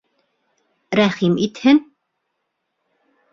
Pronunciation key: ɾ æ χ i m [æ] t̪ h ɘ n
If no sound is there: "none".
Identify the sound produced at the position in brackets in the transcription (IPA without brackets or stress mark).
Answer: i